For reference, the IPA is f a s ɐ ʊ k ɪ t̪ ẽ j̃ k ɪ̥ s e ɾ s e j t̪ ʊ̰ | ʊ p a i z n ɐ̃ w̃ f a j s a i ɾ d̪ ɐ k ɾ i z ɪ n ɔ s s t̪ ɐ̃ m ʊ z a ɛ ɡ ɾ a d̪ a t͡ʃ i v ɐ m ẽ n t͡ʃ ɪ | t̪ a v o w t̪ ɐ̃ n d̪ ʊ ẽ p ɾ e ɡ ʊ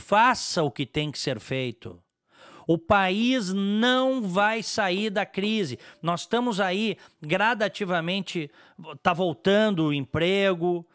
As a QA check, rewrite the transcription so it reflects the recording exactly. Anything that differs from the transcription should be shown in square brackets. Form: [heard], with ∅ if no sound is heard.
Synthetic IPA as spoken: f a s ɐ ʊ k ɪ t̪ ẽ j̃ k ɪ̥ s e ɾ [f] e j t̪ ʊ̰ | ʊ p a i z n ɐ̃ w̃ [v] a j s a i ɾ d̪ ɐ k ɾ i z ɪ n ɔ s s t̪ ɐ̃ m ʊ z a [i] ɡ ɾ a d̪ a t͡ʃ i v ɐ m ẽ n t͡ʃ ɪ | t̪ a v o w t̪ ɐ̃ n d̪ ʊ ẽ p ɾ e ɡ ʊ